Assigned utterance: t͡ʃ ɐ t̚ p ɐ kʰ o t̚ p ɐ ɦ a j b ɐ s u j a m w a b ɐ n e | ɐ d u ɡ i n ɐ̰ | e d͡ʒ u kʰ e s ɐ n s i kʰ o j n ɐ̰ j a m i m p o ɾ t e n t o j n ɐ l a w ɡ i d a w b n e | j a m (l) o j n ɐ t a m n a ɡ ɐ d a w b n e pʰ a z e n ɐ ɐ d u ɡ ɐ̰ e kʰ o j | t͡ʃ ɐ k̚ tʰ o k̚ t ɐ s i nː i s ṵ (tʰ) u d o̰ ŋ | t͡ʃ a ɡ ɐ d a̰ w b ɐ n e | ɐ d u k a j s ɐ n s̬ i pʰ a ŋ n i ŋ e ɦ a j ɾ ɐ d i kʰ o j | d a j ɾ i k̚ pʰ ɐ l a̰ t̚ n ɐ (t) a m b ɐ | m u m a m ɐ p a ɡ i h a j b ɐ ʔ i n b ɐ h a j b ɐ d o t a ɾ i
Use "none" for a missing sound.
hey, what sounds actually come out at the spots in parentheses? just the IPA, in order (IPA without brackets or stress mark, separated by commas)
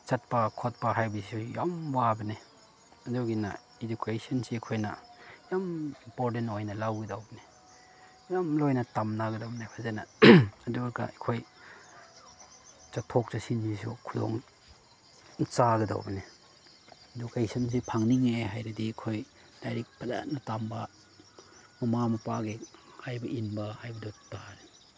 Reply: l, kʰ, t